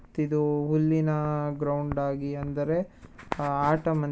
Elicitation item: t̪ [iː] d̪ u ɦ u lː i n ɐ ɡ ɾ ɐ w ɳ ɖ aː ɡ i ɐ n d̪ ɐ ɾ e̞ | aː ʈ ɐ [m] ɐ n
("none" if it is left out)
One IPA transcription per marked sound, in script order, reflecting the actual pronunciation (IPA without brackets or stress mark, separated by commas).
i, m